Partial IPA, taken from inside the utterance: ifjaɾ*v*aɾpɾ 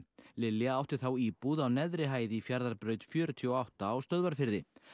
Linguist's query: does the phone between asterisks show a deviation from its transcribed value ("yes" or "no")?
yes